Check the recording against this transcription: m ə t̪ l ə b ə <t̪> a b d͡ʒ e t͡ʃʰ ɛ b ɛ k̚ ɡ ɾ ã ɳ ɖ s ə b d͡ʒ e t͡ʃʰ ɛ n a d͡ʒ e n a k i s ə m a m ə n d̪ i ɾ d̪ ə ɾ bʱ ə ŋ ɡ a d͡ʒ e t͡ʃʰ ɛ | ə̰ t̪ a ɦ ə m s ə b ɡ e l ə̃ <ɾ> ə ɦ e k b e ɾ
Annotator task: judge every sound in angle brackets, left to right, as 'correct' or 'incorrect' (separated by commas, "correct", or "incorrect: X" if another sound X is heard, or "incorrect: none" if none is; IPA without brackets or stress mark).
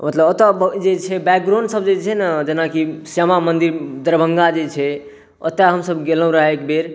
correct, correct